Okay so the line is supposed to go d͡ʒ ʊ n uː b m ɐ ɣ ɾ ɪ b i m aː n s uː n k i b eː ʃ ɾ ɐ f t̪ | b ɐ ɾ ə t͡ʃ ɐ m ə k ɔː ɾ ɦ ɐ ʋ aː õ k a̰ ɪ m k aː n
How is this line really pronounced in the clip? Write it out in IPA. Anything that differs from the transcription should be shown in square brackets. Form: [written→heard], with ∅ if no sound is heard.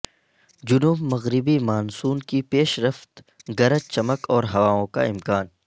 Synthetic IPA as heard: d͡ʒ ʊ n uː b m ɐ ɣ ɾ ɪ b i m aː n s uː n k i [b→p] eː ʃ ɾ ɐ f t̪ | [b→ɡ] ɐ ɾ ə t͡ʃ ɐ m ə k ɔː ɾ ɦ ɐ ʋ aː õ k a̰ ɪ m k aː n